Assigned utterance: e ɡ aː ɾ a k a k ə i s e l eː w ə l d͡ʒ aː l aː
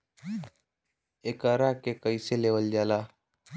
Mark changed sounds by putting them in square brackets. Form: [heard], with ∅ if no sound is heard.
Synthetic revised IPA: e [k] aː ɾ a k [e] k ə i s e l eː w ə l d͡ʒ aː l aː